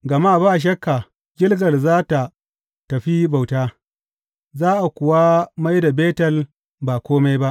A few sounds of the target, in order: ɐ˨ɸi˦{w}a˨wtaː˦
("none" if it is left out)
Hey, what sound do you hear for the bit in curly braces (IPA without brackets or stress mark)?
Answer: b